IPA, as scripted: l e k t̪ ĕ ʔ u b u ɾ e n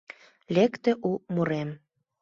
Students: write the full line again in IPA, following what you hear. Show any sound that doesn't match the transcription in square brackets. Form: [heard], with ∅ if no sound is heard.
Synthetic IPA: l e k t̪ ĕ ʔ u [m] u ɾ e [m]